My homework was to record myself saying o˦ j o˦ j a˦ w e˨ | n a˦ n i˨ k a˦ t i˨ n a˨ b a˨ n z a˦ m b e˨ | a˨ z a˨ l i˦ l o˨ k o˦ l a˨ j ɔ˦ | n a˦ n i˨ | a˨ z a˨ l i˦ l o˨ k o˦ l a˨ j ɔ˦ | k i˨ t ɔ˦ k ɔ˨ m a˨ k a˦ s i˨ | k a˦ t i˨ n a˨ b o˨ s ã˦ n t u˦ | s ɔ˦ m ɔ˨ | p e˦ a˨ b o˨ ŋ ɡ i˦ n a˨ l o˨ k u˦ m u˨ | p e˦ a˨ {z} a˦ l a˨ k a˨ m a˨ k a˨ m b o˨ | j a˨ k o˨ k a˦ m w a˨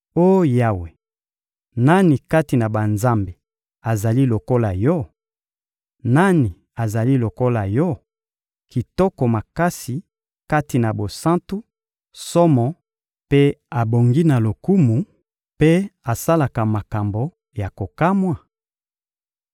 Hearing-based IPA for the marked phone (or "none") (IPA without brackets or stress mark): s